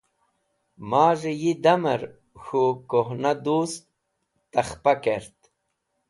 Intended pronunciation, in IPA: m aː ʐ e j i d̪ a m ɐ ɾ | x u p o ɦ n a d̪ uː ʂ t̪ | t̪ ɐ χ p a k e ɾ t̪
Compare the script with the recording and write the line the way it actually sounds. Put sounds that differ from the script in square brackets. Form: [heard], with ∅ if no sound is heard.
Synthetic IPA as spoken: m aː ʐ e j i d̪ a m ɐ ɾ | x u [k] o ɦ n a d̪ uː [s] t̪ | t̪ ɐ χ p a k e ɾ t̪

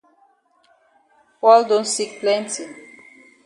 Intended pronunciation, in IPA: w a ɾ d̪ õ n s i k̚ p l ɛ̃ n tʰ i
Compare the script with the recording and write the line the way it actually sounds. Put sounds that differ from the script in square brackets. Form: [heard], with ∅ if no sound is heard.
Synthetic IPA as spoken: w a [l] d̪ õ n s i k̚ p l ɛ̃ n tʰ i

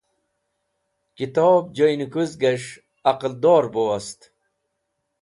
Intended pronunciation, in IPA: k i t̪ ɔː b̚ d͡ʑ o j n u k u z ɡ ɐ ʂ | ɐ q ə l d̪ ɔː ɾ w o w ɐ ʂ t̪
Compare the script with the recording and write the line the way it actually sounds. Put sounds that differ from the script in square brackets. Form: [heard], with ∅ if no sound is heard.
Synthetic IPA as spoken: k i t̪ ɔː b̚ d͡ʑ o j n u k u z ɡ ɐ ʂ | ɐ q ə l d̪ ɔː ɾ [b] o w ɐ [s] t̪

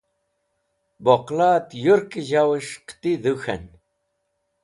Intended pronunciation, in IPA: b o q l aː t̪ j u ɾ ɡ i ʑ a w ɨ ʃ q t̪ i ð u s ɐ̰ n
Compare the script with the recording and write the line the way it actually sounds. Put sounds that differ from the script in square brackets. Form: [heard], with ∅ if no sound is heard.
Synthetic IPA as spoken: b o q l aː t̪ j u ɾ [k] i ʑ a w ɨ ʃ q t̪ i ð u [x] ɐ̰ n

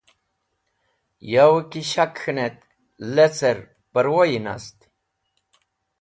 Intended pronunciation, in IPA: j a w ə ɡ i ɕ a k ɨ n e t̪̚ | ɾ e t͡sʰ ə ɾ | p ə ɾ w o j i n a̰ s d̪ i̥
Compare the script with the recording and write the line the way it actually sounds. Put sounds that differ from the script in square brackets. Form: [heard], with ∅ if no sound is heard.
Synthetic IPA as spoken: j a w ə [k] i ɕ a k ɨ n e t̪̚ | [l] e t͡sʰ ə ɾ | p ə ɾ w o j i n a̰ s [t̪] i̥

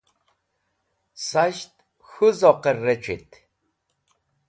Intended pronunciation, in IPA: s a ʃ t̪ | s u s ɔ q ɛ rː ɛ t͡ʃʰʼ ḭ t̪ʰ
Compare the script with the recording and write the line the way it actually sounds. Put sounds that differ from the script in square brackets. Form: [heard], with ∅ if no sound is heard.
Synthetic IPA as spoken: s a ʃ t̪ | [x] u [z] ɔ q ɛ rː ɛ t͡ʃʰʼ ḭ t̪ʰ

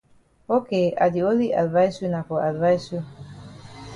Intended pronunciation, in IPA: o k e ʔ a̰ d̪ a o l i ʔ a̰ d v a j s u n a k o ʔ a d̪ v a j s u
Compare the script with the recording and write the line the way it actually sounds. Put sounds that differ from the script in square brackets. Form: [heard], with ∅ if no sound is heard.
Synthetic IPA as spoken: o k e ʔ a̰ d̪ [i] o l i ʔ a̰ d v a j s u n a k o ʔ a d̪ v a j s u

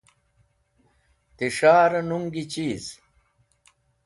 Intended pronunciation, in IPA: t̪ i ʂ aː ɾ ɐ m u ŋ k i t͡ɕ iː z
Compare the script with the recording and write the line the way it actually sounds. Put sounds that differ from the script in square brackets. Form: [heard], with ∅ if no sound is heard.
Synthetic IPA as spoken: t̪ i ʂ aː ɾ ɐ [n] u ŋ [ɡ] i t͡ɕ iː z

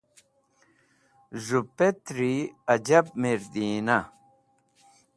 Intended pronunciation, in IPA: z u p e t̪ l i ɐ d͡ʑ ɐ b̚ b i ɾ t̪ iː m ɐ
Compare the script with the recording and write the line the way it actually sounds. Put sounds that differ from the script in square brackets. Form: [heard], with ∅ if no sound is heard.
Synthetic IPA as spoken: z u p e t̪ [ɾ] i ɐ d͡ʑ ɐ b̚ [m] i ɾ [d̪] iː [n] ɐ

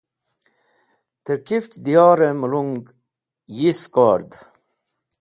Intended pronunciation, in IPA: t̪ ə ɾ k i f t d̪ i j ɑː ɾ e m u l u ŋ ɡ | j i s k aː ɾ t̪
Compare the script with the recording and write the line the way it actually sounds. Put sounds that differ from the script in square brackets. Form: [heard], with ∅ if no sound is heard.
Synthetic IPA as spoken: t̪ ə ɾ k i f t d̪ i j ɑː ɾ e m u l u ŋ ɡ | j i s k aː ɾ [d̪]

